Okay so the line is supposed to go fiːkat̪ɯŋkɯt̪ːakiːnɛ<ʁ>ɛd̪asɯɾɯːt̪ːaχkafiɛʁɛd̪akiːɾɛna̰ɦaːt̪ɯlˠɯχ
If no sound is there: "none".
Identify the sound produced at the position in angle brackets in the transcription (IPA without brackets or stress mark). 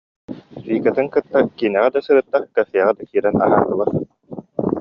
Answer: ʁ